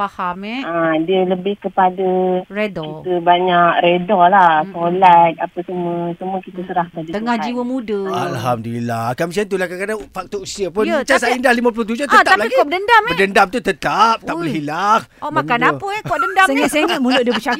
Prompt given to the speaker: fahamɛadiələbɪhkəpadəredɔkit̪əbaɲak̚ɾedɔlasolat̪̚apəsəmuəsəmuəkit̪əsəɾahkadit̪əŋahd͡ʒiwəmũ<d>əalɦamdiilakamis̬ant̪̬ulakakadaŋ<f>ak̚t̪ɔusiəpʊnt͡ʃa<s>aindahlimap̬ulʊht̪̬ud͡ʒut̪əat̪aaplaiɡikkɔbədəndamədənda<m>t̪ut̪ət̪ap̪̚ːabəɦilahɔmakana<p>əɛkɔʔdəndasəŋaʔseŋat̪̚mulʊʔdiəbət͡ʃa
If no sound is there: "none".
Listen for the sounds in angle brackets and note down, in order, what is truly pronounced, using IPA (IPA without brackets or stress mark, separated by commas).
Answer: d, f, s, m, p